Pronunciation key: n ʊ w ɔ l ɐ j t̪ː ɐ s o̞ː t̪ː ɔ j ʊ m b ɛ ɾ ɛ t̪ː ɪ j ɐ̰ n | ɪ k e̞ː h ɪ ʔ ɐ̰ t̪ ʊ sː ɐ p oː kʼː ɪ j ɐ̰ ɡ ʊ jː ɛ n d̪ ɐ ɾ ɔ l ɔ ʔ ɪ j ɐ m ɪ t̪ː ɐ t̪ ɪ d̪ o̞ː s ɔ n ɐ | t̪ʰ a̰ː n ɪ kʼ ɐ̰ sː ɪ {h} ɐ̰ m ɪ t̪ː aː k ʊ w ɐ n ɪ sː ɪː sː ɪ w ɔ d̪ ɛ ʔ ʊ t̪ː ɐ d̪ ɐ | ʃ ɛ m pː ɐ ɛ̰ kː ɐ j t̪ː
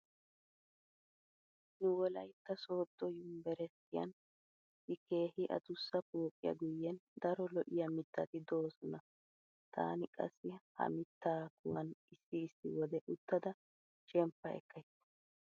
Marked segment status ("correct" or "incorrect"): correct